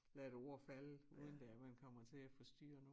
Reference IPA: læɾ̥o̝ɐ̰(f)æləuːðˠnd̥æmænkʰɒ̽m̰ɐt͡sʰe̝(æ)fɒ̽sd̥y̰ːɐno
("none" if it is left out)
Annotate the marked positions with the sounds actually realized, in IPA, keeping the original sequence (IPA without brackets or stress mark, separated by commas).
f, æ